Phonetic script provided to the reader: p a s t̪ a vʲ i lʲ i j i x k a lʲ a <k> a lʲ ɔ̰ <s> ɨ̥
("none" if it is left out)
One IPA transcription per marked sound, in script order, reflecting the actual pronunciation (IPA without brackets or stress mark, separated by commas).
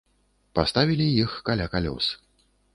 k, s